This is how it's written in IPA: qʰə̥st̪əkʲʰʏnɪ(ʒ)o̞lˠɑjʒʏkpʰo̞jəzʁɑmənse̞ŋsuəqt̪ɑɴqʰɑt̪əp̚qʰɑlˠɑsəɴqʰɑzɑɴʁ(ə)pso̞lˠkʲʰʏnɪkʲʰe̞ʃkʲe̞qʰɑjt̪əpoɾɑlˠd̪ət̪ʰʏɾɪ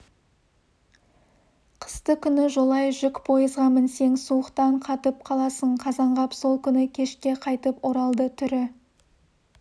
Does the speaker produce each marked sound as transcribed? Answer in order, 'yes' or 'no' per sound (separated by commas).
yes, no